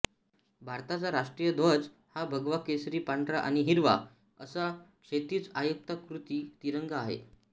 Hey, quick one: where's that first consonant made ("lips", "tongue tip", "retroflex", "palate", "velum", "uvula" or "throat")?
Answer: lips